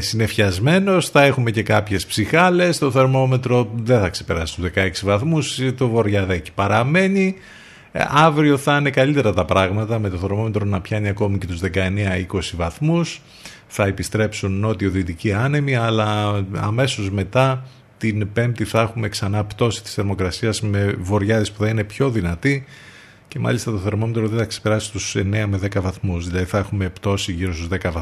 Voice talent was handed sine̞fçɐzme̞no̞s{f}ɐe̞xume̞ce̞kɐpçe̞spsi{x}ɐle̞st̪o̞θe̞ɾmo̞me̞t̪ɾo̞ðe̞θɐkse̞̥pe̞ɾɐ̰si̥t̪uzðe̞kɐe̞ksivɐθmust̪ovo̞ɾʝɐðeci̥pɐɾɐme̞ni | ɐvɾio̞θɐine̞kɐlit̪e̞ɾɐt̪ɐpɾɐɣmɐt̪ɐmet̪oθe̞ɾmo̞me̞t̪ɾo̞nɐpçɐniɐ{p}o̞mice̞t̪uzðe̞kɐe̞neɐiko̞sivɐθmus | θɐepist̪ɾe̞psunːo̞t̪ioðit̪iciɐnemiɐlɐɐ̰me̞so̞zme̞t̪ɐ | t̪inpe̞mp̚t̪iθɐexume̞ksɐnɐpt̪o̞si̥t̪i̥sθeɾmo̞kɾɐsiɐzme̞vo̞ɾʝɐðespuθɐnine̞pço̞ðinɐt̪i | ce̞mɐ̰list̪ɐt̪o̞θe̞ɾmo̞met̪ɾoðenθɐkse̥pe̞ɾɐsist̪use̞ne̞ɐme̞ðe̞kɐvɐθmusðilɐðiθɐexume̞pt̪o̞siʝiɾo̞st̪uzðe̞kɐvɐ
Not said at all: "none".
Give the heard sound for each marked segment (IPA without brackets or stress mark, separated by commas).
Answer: θ, x, k